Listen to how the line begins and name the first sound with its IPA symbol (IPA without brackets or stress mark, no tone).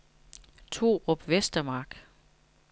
t͡sʰ